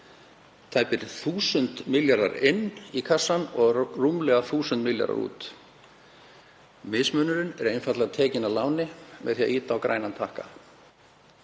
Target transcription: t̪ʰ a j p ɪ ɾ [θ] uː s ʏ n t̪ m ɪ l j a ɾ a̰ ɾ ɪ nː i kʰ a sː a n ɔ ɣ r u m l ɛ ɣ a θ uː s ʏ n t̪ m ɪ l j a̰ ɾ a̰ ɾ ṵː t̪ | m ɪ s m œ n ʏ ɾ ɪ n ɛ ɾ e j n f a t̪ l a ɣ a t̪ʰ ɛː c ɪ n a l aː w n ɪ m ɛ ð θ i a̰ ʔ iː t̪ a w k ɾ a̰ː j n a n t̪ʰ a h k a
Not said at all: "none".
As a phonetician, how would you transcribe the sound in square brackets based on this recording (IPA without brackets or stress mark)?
θ